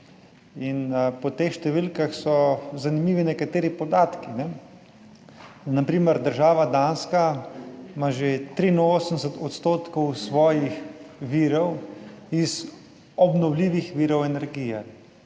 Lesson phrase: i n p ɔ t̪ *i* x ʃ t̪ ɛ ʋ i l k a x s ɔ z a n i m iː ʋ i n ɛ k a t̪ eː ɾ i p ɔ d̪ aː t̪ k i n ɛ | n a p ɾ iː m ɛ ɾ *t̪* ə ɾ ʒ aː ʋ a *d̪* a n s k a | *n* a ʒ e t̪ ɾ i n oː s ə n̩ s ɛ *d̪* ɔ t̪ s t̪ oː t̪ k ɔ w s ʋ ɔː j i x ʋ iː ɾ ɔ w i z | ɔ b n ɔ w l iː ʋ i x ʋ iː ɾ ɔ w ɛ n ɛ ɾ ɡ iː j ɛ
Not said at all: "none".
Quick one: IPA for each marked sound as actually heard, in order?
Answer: e, d̪, d̪, m, t̪

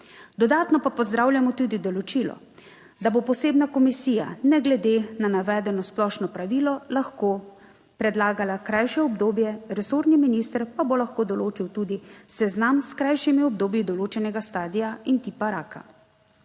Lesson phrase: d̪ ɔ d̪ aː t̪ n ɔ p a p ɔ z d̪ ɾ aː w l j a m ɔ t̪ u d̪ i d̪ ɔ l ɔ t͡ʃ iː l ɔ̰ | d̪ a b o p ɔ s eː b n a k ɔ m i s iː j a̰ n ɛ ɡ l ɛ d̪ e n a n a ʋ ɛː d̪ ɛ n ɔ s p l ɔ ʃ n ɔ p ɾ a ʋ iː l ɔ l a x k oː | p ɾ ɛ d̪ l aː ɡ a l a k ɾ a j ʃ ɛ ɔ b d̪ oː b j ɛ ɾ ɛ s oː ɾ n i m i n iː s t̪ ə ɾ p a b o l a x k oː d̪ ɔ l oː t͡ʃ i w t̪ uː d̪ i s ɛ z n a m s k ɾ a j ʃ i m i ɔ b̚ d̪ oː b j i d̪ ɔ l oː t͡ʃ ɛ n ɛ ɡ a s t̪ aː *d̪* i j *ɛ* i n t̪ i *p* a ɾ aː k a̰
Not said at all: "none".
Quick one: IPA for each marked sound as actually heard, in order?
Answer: d̪, a, p

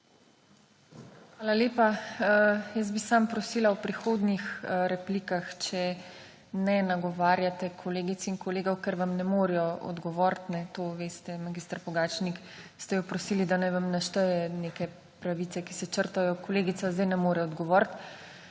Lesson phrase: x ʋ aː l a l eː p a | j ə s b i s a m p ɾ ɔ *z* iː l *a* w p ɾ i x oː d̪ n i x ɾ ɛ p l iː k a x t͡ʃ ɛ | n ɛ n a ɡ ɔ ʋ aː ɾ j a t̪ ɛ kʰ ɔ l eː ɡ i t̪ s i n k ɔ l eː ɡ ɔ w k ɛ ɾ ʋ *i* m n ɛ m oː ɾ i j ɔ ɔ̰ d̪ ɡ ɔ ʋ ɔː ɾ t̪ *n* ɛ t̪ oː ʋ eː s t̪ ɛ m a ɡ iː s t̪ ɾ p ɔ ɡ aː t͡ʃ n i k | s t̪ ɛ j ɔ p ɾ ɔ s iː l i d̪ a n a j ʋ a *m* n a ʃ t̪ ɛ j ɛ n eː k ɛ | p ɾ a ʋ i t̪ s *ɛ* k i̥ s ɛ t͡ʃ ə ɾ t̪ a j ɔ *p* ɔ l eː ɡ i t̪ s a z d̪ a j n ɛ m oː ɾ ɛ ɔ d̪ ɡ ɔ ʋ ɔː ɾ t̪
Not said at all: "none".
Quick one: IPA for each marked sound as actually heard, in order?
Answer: s, a, a, n, m, ɛ, k

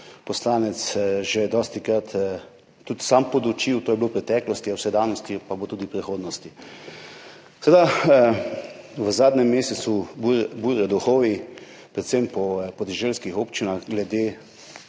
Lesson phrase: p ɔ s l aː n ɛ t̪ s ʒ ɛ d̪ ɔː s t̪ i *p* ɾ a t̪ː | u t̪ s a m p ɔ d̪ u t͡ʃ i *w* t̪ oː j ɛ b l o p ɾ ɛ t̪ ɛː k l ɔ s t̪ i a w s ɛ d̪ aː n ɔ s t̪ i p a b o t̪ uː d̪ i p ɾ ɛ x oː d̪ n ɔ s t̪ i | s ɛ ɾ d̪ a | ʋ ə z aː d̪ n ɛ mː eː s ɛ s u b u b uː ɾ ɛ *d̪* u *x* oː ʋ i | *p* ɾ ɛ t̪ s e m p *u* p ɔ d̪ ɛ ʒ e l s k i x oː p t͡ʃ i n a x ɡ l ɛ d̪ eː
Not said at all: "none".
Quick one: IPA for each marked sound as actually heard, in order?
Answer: k, w, d̪, x, p, ɔ

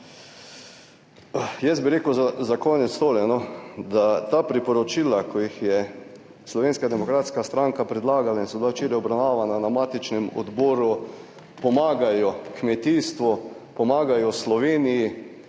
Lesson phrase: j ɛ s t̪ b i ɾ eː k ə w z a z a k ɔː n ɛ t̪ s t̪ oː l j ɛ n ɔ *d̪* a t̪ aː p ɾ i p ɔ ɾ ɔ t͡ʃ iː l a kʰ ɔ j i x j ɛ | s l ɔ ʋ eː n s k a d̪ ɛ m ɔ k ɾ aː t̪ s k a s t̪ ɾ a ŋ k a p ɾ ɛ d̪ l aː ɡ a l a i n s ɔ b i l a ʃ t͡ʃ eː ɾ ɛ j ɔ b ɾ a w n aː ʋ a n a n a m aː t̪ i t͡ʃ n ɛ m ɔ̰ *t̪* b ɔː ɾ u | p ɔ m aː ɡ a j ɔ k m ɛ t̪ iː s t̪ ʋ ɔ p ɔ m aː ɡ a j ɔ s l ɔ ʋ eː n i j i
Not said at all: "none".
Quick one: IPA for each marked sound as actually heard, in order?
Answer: d̪, d̪

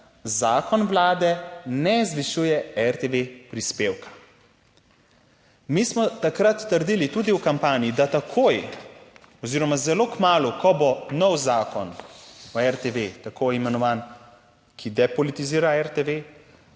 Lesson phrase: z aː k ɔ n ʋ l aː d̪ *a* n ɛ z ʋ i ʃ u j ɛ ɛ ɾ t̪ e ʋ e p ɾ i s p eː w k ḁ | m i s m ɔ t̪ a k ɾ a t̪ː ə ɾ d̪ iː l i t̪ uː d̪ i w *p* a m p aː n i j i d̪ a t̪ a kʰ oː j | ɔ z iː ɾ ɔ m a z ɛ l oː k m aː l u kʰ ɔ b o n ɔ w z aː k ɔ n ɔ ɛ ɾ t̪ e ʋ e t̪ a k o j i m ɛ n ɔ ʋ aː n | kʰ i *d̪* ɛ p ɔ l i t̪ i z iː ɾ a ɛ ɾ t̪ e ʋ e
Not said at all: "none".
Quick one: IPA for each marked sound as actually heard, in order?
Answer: ɛ, k, d̪

